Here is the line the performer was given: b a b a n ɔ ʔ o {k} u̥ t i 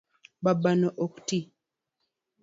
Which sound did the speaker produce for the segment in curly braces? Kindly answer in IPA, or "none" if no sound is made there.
k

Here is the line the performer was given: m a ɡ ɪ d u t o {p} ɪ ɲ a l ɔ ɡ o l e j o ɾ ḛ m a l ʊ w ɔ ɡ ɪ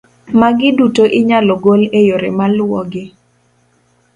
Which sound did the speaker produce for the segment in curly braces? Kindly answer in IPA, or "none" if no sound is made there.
ʔ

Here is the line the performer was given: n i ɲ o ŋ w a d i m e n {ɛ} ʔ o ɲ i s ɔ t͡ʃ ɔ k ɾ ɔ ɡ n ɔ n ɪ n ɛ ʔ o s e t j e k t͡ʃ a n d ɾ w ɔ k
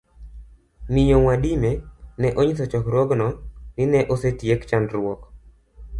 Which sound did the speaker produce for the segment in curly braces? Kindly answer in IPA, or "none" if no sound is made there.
ɛ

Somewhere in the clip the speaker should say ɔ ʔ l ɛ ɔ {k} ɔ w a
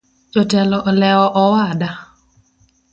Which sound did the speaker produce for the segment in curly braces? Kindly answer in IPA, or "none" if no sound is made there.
ʔ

